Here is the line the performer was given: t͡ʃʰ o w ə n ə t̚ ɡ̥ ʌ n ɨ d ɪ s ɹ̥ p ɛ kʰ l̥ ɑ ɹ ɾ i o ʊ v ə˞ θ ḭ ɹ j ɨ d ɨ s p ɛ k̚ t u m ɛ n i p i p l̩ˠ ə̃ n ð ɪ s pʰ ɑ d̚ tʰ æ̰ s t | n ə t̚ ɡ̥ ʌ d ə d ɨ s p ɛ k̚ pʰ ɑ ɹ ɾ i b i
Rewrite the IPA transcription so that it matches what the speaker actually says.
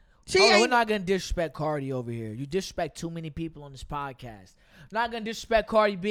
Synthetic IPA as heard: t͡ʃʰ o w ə n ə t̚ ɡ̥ ʌ n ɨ d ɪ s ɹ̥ p ɛ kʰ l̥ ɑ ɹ ɾ i o ʊ v ə˞ h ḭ ɹ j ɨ d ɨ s p ɛ k̚ tʰ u m ɛ n i p i p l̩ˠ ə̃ n ð ɪ s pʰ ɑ d̚ kʰ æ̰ s t | n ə t̚ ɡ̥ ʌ n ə d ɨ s p ɛ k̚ kʰ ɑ ɹ ɾ i b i